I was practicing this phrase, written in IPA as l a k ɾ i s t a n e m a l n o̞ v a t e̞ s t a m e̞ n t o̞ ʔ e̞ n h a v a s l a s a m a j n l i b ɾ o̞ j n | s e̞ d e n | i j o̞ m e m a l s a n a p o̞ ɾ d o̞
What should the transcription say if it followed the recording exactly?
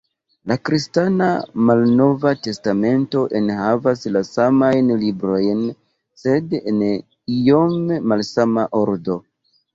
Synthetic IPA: l a k ɾ i s t a n a m a l n o̞ v a t e̞ s t a m e̞ n t o̞ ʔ e̞ n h a v a s l a s a m a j n l i b ɾ o̞ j n | s e̞ d e n | i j o̞ m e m a l s a m a ʔ o̞ ɾ d o̞